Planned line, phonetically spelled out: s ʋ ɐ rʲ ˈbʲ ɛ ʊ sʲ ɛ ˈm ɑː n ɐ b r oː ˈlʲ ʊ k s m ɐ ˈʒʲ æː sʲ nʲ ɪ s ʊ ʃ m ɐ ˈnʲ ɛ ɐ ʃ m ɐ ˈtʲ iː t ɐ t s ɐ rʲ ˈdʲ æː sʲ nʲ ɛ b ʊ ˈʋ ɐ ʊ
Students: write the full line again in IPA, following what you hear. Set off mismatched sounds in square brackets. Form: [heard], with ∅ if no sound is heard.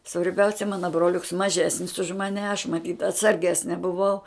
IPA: s ʋ ɐ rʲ ˈbʲ ɛ ʊ sʲ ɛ ˈm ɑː n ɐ b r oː ˈlʲ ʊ k s m ɐ ˈʒʲ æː sʲ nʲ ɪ s ʊ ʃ m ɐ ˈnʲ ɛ ɐ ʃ m ɐ ˈtʲ iː t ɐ t s ɐ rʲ [ˈɡʲ] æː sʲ nʲ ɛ b ʊ ˈʋ ɐ ʊ

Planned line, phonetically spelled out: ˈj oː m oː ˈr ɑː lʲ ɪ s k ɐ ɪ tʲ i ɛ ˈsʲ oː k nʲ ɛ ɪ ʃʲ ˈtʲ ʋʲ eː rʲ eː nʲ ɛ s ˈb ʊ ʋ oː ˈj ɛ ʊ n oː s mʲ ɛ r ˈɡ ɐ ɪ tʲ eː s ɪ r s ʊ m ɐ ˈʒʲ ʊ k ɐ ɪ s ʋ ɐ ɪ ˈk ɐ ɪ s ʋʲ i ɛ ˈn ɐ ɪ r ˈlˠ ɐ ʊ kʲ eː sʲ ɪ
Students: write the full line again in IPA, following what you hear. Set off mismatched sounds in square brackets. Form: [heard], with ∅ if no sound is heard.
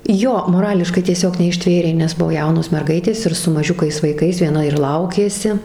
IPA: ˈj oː m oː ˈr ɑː lʲ ɪ [ʃ] k ɐ ɪ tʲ i ɛ ˈsʲ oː k nʲ ɛ ɪ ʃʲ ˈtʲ ʋʲ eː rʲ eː nʲ ɛ s ˈb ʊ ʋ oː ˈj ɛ ʊ n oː s mʲ ɛ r ˈɡ ɐ ɪ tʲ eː s ɪ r s ʊ m ɐ ˈʒʲ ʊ k ɐ ɪ s ʋ ɐ ɪ ˈk ɐ ɪ s ʋʲ i ɛ ˈn ɐ ɪ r ˈlˠ ɐ ʊ kʲ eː sʲ ɪ

